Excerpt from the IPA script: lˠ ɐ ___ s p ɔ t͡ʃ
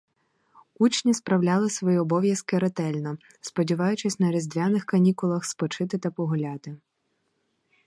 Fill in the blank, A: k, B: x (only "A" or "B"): B